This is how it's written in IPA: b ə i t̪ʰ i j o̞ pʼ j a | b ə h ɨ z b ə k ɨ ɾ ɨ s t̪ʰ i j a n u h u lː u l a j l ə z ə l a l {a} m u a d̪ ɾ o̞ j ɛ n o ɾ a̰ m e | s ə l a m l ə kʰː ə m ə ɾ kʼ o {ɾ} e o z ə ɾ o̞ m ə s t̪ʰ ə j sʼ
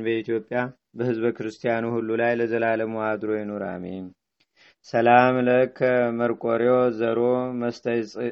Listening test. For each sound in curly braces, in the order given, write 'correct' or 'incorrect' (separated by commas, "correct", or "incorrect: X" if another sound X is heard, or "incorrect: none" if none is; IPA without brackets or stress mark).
incorrect: ə, correct